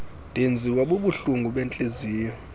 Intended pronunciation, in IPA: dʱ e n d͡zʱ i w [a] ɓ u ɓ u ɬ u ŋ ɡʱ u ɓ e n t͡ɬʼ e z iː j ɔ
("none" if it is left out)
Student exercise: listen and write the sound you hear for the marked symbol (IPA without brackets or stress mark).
a